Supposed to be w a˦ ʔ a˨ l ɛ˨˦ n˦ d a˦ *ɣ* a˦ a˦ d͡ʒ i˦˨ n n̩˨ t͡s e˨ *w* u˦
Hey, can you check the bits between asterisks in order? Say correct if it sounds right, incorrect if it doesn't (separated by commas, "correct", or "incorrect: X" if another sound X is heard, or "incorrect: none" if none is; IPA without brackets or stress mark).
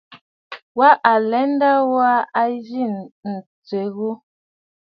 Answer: incorrect: w, incorrect: ɣ